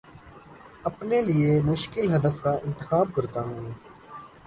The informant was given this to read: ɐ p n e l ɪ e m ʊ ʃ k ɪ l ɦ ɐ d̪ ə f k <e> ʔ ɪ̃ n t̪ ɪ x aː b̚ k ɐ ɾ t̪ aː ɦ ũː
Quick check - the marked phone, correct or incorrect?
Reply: incorrect